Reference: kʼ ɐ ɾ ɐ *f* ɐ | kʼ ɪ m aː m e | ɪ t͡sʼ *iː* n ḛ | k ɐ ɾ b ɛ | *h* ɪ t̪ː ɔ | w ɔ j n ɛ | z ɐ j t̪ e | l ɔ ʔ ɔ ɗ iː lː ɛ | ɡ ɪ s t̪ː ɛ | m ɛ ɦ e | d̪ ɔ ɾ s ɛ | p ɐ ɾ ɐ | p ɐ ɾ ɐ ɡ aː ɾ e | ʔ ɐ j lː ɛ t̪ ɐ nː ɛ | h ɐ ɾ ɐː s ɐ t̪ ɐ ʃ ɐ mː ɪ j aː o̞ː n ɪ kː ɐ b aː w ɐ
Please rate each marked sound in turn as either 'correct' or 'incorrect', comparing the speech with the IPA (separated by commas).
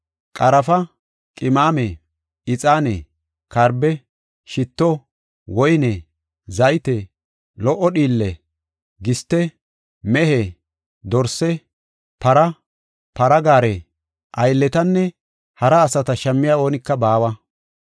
correct, incorrect, incorrect